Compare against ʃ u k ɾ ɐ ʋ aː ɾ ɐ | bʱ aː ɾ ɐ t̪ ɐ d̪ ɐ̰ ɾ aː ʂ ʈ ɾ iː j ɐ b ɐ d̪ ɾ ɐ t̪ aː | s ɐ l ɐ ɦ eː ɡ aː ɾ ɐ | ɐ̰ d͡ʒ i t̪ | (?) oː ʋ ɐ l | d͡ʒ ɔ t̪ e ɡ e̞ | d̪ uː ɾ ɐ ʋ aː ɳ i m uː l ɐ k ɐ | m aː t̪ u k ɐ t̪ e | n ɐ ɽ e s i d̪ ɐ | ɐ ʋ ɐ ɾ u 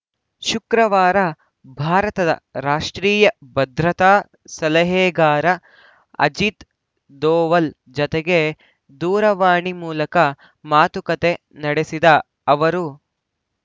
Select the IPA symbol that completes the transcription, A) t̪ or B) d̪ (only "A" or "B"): B